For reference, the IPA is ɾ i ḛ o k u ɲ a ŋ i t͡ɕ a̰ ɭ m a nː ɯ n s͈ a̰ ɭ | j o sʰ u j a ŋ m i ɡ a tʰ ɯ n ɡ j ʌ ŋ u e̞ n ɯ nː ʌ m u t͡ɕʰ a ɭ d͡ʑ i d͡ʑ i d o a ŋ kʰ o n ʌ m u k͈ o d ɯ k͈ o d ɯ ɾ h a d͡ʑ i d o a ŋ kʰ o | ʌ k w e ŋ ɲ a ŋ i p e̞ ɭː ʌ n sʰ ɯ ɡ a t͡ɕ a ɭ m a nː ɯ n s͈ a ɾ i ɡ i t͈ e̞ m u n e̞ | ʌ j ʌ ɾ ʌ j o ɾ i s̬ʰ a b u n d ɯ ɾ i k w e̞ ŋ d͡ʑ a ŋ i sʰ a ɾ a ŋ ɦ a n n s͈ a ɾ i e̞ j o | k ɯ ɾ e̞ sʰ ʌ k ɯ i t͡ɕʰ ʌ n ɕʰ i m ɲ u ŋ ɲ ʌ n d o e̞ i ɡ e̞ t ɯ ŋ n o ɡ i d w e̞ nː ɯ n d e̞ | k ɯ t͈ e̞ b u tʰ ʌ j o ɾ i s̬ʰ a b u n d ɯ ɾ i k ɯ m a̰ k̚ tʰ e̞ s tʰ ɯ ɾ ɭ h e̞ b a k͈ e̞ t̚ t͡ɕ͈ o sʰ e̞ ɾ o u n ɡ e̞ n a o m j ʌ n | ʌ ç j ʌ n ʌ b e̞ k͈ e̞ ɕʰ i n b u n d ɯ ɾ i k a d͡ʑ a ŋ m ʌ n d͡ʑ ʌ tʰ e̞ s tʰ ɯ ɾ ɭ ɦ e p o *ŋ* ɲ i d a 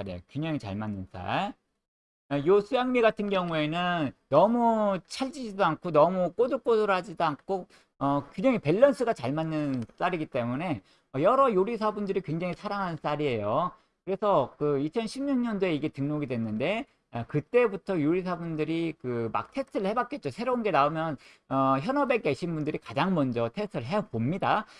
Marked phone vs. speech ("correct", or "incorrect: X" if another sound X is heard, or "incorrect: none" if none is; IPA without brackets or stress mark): incorrect: m